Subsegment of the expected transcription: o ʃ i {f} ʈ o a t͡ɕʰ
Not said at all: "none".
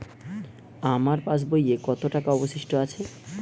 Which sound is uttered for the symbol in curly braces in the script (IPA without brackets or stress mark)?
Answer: ʃ